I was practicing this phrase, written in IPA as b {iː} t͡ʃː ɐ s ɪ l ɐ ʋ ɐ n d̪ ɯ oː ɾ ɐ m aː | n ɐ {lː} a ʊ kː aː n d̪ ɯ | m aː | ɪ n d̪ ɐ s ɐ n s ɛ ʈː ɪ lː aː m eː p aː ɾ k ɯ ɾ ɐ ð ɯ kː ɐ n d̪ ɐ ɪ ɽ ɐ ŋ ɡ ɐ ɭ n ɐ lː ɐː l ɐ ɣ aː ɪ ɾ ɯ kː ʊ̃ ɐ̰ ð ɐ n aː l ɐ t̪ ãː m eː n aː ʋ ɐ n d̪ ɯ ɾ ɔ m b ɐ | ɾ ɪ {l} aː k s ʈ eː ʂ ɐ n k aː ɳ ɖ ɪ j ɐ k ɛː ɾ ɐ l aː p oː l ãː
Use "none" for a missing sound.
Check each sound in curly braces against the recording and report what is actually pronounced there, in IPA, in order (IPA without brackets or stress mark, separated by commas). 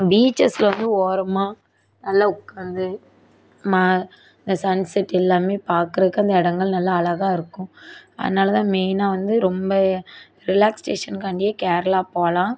iː, lː, l